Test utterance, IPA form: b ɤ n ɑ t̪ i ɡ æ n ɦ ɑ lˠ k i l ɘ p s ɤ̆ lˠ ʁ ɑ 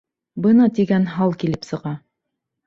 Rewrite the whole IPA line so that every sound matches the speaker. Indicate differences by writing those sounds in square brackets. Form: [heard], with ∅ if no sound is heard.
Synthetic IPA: b ɤ n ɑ t̪ i ɡ æ n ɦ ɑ lˠ k i l ɘ p s ɤ̆ [∅] ʁ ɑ